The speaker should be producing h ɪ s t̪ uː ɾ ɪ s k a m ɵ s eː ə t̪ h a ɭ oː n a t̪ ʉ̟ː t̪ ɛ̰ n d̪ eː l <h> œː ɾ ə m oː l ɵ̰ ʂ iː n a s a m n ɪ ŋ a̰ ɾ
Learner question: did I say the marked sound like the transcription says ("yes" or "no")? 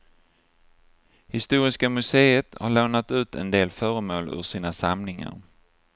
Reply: no